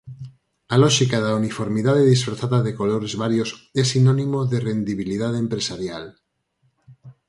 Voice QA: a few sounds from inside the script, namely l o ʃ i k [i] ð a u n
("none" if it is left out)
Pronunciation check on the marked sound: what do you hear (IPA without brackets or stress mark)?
a